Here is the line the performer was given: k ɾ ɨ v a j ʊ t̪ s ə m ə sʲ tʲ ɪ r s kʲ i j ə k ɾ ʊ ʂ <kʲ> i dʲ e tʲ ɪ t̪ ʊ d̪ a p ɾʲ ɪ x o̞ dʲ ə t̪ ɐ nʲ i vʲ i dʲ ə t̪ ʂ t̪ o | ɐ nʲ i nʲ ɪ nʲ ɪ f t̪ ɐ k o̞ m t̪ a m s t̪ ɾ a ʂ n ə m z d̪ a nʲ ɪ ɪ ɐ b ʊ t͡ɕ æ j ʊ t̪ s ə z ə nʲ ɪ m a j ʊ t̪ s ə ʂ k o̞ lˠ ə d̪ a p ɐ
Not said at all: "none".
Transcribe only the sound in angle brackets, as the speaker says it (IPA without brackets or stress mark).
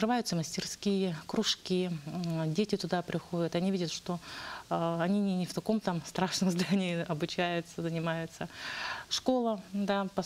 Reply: kʲ